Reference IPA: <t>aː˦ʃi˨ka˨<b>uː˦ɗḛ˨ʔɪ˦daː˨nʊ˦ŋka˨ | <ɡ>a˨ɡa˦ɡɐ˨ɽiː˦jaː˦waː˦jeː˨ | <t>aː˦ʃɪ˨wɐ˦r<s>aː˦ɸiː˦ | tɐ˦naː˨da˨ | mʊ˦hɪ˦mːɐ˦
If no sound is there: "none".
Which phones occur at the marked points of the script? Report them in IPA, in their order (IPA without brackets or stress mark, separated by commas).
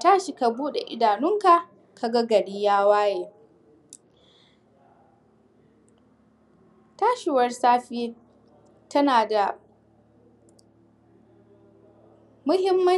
t, b, k, t, s